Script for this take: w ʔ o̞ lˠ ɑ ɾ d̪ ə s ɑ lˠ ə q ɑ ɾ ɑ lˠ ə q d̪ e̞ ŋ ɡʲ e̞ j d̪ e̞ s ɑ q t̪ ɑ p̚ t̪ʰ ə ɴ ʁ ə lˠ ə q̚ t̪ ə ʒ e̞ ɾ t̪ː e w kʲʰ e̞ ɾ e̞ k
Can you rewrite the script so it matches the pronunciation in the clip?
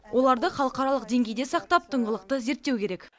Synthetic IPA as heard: w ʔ o̞ lˠ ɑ ɾ d̪ ə χ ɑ lˠ ə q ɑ ɾ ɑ lˠ ə q d̪ e̞ ŋ ɡʲ e̞ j d̪ e̞ s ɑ q t̪ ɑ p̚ t̪ʰ ə ɴ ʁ ə lˠ ə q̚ t̪ ə z e̞ ɾ t̪ː e w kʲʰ e̞ ɾ e̞ k